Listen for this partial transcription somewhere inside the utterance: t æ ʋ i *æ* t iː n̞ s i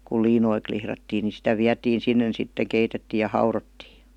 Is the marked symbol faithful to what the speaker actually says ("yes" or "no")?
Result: yes